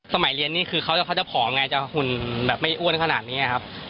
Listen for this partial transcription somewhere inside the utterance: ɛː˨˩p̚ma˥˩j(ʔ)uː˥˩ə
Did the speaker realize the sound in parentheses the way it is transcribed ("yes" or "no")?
yes